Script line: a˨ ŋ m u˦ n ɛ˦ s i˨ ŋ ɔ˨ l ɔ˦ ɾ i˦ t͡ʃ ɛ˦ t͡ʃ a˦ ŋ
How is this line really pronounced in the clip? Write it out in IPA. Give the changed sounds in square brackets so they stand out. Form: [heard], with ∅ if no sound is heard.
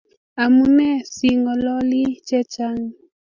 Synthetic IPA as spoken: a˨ [∅] m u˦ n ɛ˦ s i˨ ŋ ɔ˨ l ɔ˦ [l] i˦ t͡ʃ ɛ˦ t͡ʃ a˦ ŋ